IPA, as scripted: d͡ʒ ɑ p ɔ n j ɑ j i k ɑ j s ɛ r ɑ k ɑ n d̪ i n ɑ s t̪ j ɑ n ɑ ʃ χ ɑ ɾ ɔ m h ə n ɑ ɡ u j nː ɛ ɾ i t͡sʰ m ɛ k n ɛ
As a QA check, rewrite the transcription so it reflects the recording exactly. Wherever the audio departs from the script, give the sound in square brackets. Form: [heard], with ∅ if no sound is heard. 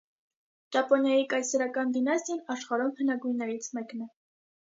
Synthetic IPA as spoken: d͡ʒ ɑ p ɔ n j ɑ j i k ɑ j s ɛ [ɾ] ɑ k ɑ n d̪ i n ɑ s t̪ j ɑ n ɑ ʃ χ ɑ ɾ ɔ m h ə n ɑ ɡ u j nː ɛ ɾ i t͡sʰ m ɛ k n ɛ